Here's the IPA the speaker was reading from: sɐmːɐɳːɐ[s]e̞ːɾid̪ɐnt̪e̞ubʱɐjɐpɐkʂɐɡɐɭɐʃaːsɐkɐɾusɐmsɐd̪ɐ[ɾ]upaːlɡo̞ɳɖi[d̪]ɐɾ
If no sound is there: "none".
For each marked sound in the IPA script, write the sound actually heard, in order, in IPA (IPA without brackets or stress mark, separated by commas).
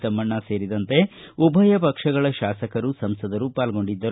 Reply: s, ɾ, d̪ː